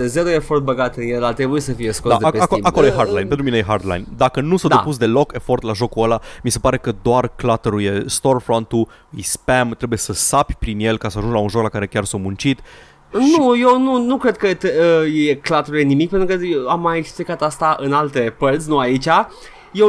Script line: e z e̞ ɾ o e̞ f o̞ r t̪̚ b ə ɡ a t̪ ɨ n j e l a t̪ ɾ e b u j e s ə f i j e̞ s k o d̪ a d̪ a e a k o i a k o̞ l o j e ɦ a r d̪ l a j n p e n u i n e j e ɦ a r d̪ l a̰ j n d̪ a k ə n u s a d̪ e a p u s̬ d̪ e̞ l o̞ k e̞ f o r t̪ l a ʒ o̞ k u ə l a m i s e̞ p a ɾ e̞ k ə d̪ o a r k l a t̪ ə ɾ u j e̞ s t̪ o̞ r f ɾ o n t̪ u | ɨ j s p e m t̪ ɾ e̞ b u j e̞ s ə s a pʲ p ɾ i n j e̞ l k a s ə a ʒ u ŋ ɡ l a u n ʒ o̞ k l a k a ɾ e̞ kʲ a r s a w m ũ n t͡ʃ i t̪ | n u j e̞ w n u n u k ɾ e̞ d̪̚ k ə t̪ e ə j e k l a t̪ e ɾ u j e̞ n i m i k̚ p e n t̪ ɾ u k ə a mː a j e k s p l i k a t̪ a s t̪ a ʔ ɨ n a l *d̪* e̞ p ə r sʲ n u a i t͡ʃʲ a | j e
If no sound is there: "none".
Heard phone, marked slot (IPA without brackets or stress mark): t̪